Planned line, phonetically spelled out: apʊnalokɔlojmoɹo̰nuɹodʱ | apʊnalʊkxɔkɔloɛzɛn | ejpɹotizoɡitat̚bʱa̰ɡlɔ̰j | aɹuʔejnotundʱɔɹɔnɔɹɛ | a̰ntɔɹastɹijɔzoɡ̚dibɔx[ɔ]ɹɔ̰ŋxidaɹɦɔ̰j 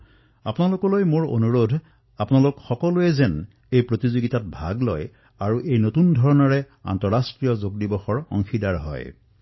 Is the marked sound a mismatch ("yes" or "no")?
no